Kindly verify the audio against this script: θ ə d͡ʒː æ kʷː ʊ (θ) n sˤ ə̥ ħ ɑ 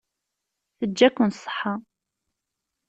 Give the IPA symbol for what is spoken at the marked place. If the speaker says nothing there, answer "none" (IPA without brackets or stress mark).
none